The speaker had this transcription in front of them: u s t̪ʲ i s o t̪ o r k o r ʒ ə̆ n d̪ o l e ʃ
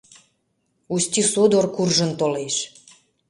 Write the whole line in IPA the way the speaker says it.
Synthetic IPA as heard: u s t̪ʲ i s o d̪ o r k u r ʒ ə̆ n t̪ o l e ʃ